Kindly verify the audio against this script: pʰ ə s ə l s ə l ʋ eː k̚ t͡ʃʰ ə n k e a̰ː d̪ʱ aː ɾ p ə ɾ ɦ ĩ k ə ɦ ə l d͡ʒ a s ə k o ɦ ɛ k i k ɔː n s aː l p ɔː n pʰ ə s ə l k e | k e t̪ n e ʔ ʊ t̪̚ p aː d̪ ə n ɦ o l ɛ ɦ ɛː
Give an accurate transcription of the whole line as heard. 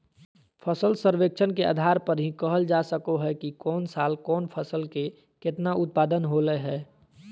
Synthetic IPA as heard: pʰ ə s ə l s ə ɾ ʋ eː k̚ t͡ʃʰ ə n k e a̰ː d̪ʱ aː ɾ p ə ɾ ɦ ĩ k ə ɦ ə l d͡ʒ a s ə k o ɦ ɛ k i k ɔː n s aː l k ɔː n pʰ ə s ə l k e | k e t̪ n a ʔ ʊ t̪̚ p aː d̪ ə n ɦ o l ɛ ɦ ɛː